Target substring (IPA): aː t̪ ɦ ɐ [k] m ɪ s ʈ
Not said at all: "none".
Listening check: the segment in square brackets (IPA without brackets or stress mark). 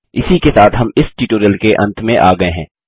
none